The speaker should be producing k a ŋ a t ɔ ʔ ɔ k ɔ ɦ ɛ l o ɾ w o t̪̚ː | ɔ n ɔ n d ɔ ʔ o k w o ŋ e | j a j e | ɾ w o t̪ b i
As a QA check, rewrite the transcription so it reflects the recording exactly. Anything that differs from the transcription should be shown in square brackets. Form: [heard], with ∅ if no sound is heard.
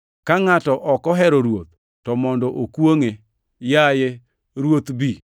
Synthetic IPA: k a ŋ a t ɔ ʔ ɔ k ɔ ɦ ɛ [ɾ] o ɾ w o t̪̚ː | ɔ [m] ɔ n d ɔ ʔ o k w o ŋ e | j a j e | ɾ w o t̪ b i